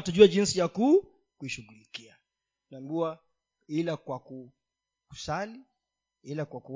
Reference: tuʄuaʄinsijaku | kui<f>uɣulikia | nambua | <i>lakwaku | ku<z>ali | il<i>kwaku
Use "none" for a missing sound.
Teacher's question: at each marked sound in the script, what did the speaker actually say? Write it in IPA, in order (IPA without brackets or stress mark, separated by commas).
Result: ʃ, i, s, a